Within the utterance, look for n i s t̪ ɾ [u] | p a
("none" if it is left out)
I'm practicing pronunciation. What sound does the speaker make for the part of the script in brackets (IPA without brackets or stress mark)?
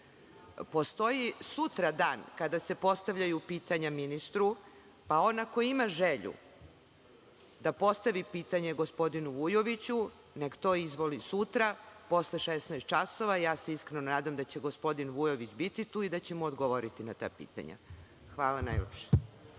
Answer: u